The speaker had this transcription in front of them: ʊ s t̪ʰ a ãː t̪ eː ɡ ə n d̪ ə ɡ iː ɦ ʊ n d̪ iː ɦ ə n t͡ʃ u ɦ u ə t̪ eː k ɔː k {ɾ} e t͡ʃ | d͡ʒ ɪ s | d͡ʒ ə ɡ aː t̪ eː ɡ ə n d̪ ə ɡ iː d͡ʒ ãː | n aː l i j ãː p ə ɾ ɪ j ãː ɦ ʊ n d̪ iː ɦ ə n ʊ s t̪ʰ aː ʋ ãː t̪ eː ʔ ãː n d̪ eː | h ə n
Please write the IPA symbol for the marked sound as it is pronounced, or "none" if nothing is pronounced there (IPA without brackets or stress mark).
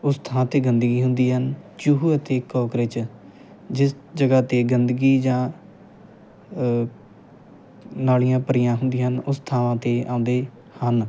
ɾ